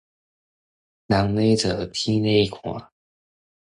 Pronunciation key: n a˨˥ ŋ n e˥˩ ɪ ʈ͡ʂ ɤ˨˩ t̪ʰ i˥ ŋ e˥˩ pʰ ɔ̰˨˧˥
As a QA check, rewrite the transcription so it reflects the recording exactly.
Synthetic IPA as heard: n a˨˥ ŋ n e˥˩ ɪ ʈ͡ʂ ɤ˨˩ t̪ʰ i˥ n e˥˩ kʰ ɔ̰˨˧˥